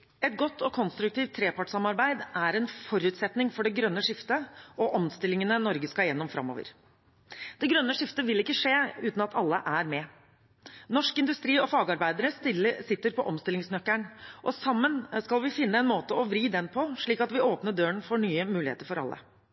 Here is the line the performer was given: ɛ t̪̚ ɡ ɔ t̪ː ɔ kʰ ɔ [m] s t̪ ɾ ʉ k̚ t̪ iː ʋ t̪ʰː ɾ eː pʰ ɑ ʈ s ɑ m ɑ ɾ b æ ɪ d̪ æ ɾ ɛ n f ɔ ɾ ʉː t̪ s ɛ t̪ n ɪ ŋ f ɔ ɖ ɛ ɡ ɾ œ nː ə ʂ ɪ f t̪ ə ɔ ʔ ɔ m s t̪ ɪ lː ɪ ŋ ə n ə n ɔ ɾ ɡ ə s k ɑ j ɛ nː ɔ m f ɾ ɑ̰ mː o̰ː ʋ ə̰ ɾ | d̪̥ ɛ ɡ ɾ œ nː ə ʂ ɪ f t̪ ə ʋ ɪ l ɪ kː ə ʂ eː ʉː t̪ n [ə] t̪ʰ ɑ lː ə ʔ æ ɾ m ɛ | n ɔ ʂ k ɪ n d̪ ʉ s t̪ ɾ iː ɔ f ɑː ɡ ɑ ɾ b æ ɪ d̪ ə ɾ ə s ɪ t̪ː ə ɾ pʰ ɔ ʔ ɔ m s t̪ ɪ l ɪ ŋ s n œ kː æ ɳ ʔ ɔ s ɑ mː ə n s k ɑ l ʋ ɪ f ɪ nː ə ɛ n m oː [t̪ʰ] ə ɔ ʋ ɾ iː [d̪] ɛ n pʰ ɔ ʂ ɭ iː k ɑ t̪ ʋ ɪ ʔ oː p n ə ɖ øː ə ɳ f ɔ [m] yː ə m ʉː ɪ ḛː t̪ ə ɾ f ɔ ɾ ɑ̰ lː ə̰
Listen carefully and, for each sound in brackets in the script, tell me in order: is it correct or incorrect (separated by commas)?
incorrect, incorrect, incorrect, correct, incorrect